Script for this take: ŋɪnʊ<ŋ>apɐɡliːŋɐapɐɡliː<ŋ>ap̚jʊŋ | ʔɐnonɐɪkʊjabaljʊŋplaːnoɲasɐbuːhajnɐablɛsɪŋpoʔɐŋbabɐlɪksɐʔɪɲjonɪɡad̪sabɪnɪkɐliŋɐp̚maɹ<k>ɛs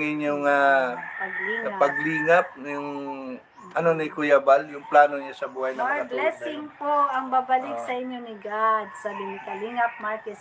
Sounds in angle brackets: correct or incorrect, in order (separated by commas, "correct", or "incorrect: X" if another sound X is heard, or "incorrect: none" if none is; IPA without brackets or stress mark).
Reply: correct, correct, correct